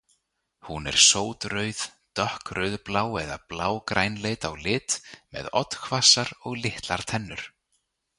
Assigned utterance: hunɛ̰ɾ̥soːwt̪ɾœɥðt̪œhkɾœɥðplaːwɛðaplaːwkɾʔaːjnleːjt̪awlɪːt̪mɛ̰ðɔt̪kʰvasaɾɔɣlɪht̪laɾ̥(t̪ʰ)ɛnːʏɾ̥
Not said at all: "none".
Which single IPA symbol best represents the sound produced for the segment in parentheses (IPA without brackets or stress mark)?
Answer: t̪ʰ